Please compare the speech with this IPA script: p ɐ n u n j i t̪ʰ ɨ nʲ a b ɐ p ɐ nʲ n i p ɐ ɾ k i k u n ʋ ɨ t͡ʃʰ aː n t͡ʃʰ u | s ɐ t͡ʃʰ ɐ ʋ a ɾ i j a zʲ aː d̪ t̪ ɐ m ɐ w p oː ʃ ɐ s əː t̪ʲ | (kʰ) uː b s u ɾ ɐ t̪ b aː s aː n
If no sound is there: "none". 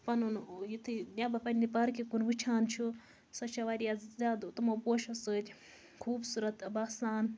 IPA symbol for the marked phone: kʰ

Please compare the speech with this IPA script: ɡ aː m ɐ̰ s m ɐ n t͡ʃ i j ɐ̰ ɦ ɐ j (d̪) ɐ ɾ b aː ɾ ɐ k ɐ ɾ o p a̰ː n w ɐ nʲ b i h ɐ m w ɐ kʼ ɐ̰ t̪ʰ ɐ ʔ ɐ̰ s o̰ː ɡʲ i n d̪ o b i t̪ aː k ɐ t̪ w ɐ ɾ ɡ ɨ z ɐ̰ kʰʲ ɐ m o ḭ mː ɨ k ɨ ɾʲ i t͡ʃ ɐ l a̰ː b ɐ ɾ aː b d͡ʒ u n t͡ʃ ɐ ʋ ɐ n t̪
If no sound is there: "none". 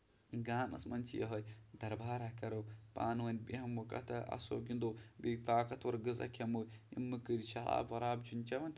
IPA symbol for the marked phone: d̪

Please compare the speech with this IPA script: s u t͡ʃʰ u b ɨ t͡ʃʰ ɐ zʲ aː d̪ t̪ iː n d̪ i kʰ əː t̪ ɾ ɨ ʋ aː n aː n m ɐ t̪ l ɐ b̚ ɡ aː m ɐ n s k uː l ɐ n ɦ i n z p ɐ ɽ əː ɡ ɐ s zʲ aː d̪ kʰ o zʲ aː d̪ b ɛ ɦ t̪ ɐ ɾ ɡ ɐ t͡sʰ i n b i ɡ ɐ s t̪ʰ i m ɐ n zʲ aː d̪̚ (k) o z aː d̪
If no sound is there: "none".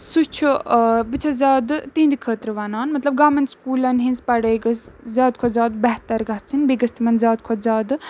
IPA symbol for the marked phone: kʰ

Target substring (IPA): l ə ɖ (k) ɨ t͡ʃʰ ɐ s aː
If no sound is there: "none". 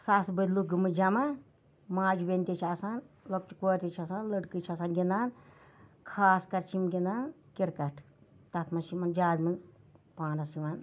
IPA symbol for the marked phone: k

